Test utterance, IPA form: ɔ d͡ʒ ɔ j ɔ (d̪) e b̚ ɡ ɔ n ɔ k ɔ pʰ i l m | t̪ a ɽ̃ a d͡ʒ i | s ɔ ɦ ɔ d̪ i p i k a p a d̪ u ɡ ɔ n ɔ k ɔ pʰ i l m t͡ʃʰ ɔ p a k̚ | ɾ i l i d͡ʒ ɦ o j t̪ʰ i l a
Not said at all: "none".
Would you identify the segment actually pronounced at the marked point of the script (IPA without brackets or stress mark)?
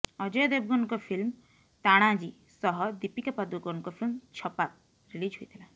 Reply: d̪